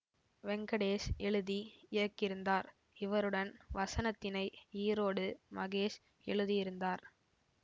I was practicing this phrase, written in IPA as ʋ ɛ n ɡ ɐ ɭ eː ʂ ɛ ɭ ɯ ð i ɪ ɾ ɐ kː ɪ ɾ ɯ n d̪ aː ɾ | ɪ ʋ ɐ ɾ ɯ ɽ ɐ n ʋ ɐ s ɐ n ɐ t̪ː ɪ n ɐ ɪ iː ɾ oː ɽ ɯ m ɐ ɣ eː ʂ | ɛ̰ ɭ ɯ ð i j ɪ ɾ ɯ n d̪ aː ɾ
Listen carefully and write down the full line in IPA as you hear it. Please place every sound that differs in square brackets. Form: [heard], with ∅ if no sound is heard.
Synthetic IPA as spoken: ʋ ɛ [ŋ] ɡ ɐ [ɽ] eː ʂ ɛ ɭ ɯ ð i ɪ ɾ ɐ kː ɪ ɾ ɯ n d̪ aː ɾ | ɪ ʋ ɐ ɾ ɯ ɽ ɐ n ʋ ɐ s ɐ n ɐ t̪ː ɪ n ɐ ɪ iː ɾ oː ɽ ɯ m ɐ ɣ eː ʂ | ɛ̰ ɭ ɯ ð i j ɪ ɾ ɯ n d̪ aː ɾ